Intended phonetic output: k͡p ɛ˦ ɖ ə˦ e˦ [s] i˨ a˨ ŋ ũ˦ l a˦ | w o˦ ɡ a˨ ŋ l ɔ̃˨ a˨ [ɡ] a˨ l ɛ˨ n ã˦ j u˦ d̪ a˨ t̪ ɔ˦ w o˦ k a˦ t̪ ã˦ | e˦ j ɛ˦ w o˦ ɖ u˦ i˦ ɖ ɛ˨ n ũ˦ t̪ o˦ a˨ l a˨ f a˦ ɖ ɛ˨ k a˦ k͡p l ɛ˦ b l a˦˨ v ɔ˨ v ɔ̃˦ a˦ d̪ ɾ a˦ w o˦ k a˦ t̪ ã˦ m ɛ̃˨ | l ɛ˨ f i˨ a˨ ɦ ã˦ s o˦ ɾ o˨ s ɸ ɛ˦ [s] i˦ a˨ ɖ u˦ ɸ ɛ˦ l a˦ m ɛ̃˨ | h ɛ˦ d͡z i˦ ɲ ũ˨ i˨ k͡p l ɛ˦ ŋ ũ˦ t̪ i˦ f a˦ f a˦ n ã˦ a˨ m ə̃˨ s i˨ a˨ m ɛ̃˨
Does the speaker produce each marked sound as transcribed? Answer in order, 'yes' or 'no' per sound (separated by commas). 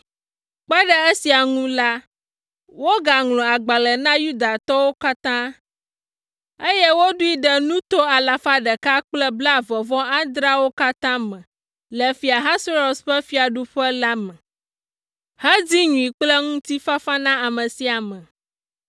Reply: yes, no, no